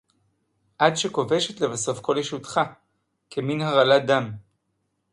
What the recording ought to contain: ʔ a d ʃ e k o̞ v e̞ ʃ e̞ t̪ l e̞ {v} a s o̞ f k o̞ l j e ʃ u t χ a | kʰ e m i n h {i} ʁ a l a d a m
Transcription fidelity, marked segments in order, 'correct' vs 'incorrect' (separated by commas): correct, incorrect